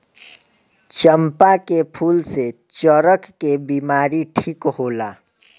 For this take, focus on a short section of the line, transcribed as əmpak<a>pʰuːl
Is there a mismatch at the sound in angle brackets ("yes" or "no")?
yes